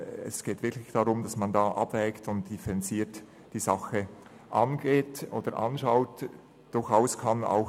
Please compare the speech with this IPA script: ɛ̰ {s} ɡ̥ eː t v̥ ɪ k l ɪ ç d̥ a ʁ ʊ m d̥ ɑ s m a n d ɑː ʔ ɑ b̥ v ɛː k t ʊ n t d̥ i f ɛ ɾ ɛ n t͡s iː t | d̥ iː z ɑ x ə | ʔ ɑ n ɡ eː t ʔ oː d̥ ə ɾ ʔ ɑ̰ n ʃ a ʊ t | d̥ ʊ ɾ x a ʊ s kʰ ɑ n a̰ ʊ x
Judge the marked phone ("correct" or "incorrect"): correct